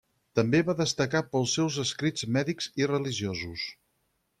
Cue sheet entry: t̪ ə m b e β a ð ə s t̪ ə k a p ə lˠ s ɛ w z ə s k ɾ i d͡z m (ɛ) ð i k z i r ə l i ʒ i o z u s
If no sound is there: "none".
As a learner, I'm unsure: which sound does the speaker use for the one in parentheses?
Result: ɛ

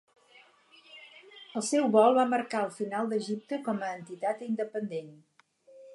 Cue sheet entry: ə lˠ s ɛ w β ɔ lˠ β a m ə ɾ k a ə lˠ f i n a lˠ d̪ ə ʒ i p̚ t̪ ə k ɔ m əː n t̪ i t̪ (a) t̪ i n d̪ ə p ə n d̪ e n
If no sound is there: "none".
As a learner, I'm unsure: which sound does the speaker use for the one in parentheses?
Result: a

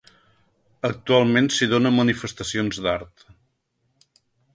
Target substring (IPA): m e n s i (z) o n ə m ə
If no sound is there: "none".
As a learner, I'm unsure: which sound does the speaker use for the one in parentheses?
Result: ð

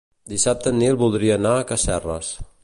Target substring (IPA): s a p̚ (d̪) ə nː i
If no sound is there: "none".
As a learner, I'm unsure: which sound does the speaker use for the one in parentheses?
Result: t̪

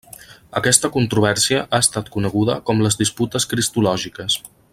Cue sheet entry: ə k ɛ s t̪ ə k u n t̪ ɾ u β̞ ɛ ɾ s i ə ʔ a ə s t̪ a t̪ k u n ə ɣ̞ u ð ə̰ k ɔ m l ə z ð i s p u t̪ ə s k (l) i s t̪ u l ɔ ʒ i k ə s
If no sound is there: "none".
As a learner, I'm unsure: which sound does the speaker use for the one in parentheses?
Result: ɾ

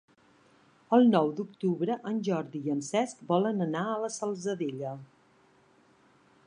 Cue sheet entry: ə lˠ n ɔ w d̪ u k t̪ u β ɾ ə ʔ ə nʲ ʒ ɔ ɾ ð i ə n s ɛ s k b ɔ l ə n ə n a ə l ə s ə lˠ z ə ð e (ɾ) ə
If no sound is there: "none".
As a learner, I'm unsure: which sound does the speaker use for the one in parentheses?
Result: ʎ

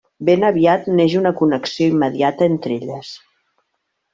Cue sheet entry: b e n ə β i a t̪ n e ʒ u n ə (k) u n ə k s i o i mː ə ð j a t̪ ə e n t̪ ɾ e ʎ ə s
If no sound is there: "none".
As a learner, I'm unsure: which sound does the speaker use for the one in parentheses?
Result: k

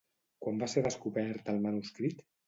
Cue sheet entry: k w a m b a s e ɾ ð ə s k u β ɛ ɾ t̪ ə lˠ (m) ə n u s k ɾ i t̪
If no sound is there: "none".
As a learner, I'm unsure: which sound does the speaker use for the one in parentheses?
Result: m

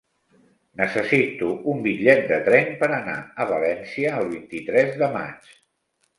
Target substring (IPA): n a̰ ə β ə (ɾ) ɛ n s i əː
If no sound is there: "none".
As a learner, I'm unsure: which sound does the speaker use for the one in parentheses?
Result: l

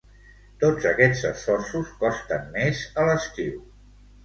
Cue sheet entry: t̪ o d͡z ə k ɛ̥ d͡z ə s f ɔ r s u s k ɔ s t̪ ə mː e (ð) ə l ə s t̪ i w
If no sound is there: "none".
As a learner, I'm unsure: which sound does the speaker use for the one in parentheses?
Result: z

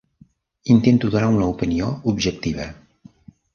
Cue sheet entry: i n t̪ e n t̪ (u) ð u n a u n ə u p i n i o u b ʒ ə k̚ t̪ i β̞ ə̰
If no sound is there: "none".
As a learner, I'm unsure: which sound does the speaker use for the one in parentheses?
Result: u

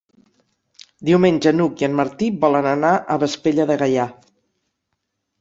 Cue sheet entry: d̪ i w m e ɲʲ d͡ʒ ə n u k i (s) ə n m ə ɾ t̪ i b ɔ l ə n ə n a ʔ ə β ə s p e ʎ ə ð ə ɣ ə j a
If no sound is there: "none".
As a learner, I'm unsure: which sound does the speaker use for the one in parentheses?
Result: none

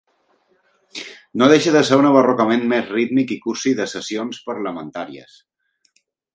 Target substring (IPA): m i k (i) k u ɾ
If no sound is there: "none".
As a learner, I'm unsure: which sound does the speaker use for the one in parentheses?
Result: i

